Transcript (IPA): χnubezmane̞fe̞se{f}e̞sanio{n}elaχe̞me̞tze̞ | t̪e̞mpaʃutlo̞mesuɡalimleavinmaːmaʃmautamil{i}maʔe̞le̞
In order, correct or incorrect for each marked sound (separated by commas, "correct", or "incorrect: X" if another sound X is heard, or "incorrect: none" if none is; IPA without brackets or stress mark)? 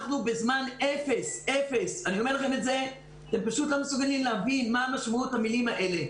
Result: correct, incorrect: m, correct